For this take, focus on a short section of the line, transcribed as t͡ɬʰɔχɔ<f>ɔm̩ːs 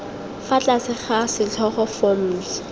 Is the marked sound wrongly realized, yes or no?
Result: no